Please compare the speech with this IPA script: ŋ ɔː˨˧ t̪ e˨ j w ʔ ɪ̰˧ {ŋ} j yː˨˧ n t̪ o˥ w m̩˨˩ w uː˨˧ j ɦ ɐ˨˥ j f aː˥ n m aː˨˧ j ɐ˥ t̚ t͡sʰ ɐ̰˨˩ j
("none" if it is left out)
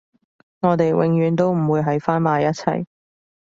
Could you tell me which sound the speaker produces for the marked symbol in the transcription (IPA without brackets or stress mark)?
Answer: ŋ